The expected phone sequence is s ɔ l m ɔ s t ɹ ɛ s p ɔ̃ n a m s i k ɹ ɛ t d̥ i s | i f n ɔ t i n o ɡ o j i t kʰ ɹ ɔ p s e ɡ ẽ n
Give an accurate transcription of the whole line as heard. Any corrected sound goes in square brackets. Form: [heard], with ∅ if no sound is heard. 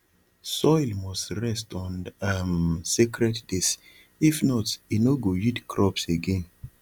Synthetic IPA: s ɔ l m ɔ s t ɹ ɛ s [t] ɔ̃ n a m s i k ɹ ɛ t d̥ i s | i f n ɔ t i n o ɡ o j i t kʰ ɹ ɔ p s e ɡ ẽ n